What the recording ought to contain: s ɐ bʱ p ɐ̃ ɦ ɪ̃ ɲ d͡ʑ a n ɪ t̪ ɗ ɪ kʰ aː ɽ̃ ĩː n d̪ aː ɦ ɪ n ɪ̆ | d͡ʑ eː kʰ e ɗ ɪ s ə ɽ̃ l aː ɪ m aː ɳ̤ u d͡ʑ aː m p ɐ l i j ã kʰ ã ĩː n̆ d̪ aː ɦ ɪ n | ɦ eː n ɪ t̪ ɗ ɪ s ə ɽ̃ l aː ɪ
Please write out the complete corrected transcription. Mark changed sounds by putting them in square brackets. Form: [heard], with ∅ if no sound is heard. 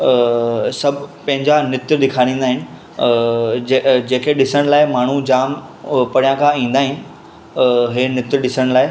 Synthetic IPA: s ɐ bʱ p ɐ̃ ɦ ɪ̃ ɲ d͡ʑ a n ɪ t̪ ɗ ɪ kʰ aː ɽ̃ ĩː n d̪ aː ɦ ɪ n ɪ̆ | d͡ʑ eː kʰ e ɗ ɪ s ə ɽ̃ l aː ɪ m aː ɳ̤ u d͡ʑ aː m p ɐ [ɽ] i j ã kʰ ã ĩː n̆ d̪ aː ɦ ɪ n | ɦ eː n ɪ t̪ ɗ ɪ s ə ɽ̃ l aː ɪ